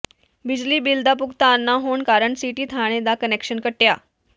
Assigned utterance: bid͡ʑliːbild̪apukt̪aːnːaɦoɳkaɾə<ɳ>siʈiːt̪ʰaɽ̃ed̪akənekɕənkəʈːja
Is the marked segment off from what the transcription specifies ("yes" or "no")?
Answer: no